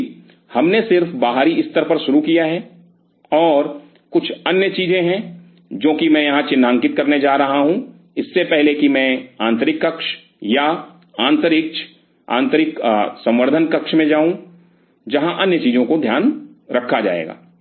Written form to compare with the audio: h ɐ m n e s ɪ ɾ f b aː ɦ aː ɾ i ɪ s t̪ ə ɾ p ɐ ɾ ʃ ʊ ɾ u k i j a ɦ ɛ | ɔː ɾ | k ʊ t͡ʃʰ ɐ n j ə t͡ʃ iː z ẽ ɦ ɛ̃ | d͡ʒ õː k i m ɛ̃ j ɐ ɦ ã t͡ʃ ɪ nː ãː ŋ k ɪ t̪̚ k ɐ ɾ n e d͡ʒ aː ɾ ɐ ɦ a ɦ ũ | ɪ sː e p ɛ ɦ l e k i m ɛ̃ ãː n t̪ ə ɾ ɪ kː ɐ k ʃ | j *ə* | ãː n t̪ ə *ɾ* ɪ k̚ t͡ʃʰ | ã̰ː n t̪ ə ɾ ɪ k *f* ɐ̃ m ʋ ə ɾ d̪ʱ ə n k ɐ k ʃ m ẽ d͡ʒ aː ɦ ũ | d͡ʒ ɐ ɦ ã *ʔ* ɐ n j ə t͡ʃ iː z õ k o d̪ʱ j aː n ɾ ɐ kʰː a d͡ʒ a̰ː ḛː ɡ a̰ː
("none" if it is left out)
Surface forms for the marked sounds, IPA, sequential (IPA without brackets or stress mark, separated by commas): a, ɾ, s, ʔ